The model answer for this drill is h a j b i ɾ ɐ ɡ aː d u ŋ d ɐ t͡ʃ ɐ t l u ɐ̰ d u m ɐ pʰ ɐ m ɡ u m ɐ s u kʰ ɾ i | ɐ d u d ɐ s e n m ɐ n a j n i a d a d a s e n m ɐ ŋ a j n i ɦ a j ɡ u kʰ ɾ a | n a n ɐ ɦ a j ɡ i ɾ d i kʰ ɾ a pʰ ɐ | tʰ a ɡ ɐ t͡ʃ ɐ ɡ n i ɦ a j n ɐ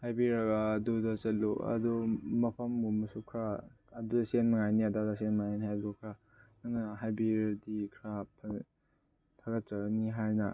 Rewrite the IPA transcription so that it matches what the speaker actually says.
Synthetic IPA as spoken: h a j b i ɾ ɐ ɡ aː d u d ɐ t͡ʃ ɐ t l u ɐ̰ d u m ɐ pʰ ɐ m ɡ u m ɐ s u kʰ ɾ a | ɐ d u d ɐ s e n m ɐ ŋ a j n i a d a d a s e n m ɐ ŋ a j n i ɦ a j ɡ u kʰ ɾ a | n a n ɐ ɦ a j b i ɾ d i kʰ ɾ a pʰ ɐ | tʰ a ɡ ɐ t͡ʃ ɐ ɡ n i ɦ a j n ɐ

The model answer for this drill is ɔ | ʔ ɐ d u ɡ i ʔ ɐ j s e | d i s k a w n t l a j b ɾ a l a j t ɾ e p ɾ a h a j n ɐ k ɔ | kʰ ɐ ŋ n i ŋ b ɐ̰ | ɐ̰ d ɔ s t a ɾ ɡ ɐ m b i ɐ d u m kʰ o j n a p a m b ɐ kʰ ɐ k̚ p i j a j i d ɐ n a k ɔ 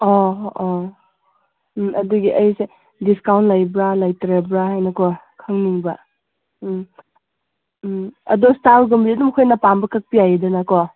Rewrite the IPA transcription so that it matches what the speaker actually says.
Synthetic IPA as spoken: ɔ | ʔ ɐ d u ɡ i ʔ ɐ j s e | d i s k a w n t l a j b ɾ a l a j t ɾ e b ɾ a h a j n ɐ k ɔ | kʰ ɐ ŋ n i ŋ b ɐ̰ | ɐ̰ d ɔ s t a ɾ ɡ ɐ m b i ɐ d u m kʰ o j n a p a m b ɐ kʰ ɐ k̚ p i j a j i d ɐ n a k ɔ

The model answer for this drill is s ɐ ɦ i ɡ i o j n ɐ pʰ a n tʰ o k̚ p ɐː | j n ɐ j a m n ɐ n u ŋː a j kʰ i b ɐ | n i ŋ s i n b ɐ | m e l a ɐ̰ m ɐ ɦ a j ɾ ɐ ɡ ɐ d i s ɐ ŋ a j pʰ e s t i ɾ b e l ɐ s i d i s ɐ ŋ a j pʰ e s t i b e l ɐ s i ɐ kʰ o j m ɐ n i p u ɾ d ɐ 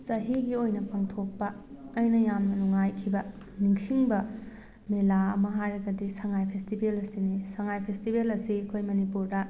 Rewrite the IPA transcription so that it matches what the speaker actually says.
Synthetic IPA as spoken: s ɐ ɦ i ɡ i o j n ɐ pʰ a ŋ tʰ o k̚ p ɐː | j n ɐ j a m n ɐ n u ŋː a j kʰ i b ɐ | n i ŋ s i ŋ b ɐ | m e l a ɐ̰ m ɐ ɦ a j ɾ ɐ ɡ ɐ d i s ɐ ŋ a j pʰ e s t i b e l ɐ s i n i s ɐ ŋ a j pʰ e s t i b e l ɐ s i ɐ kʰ o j m ɐ n i p u ɾ d ɐ

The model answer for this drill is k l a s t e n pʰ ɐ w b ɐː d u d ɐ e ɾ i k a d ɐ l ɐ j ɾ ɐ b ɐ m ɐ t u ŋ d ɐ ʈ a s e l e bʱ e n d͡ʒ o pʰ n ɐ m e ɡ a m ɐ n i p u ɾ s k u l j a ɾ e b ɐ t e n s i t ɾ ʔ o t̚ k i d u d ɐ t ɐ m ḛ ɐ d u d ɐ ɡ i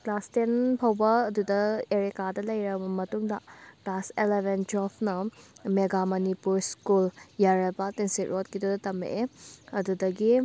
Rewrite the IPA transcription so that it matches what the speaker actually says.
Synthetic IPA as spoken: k l a s t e n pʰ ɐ w b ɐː d u d ɐ e ɾ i k a d ɐ l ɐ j ɾ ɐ b ɐ m ɐ t u ŋ d ɐ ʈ a s e l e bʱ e n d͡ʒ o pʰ n ɐ m e ɡ a m ɐ n i p u ɾ s k u l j a ɾ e b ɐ t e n s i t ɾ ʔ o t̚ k i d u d ɐ t ɐ m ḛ ɐ d u d ɐ ɡ i

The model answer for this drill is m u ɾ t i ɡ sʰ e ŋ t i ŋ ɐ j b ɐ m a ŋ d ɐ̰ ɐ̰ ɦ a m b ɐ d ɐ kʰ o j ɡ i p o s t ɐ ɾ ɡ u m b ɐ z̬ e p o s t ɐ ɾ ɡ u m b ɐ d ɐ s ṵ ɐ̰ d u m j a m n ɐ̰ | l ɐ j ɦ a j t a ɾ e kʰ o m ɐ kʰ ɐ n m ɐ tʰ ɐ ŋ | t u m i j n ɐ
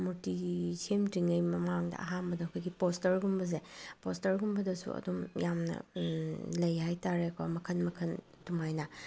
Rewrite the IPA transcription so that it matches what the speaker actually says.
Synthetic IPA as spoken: m u ɾ t i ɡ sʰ e m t i ŋ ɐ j m ɐ m a ŋ d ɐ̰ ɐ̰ ɦ a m b ɐ d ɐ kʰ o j ɡ i p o s t ɐ ɾ ɡ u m b ɐ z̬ e p o s t ɐ ɾ ɡ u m b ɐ d ɐ s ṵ ɐ̰ d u m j a m n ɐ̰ | l ɐ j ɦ a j t a ɾ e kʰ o m ɐ kʰ ɐ n m ɐ kʰ ɐ n | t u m a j n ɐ

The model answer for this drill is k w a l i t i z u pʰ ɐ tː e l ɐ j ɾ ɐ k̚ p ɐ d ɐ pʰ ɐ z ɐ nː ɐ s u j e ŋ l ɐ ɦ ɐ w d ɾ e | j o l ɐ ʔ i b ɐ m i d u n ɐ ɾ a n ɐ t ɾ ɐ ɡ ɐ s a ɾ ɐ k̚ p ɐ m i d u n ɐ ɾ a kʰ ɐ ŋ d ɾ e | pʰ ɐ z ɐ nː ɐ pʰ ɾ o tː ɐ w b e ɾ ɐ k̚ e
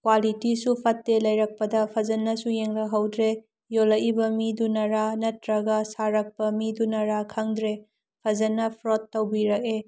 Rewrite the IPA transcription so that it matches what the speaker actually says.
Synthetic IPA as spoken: k w a l i t i s u pʰ ɐ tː e l ɐ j ɾ ɐ k̚ p ɐ d ɐ pʰ ɐ z ɐ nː ɐ s u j e ŋ l ɐ ɦ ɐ w d ɾ e | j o l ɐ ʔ i b ɐ m i d u n ɐ ɾ a n ɐ t ɾ ɐ ɡ ɐ s a ɾ ɐ k̚ p ɐ m i d u n ɐ ɾ a kʰ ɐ ŋ d ɾ e | pʰ ɐ z ɐ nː ɐ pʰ ɾ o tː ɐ w b i ɾ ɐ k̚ e

